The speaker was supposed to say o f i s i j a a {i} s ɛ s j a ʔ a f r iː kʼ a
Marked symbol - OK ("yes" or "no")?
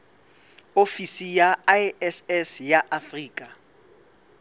no